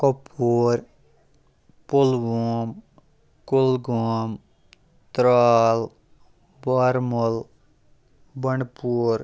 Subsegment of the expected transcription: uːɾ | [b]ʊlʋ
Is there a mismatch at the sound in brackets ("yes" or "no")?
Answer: yes